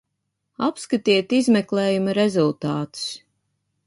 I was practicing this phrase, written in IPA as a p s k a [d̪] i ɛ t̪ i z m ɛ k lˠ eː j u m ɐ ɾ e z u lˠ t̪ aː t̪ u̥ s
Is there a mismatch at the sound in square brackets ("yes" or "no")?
yes